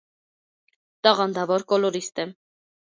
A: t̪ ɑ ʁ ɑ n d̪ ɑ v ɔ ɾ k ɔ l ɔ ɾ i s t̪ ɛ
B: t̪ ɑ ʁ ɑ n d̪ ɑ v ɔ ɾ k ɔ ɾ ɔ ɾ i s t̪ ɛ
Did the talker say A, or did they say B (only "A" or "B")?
A